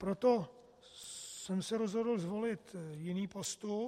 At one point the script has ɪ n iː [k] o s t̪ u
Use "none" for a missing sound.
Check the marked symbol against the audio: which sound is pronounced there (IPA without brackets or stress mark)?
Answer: p